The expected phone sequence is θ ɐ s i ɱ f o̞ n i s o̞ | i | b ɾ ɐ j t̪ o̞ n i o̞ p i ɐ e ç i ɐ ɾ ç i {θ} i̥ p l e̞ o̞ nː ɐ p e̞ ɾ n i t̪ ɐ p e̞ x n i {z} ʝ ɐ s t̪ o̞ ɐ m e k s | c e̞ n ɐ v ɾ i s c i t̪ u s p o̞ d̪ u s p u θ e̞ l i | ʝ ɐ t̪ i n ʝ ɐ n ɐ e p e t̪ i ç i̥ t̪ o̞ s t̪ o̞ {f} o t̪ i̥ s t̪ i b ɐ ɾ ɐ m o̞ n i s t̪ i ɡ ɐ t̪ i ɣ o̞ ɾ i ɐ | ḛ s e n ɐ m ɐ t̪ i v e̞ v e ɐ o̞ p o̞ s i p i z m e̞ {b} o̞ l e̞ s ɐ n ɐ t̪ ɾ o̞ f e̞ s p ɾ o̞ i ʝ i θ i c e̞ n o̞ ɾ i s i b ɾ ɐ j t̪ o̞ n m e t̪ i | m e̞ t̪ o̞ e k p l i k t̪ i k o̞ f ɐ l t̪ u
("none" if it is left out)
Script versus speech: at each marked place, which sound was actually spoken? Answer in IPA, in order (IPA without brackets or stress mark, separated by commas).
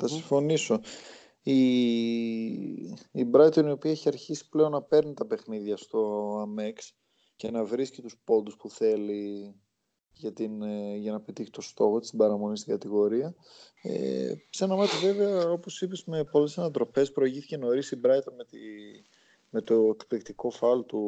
s, ð, x, p